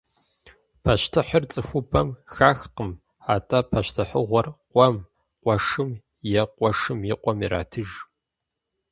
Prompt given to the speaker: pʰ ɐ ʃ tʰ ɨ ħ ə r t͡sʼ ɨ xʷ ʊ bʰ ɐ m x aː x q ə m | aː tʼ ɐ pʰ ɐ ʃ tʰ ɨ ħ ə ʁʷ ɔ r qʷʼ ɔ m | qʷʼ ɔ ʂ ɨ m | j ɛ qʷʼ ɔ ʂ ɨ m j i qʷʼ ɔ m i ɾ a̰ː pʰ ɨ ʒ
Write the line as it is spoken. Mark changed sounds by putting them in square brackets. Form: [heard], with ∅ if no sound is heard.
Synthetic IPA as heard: pʰ ɐ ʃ tʰ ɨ ħ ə r t͡sʼ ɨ xʷ ʊ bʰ ɐ m x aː x q ə m | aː tʼ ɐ pʰ ɐ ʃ tʰ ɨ ħ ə ʁʷ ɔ r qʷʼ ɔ m | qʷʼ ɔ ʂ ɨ m | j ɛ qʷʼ ɔ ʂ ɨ m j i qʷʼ ɔ m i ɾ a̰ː [tʰ] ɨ ʒ